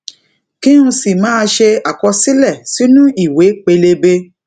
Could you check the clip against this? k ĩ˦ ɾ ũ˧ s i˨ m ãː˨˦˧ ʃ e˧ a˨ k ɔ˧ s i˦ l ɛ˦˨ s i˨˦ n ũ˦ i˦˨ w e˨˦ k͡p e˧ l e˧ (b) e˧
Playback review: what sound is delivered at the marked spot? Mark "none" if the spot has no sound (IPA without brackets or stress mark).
b